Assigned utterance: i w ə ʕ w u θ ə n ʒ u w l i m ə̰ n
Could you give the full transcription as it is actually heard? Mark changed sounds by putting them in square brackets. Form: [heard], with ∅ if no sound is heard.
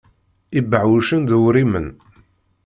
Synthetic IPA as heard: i [b] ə ʕ w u [ʃ] ə n [ð] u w [ɾ] i m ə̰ n